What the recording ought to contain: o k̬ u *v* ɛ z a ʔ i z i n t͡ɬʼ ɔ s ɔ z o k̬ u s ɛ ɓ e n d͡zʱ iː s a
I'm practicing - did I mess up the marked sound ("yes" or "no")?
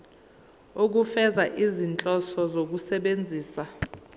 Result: yes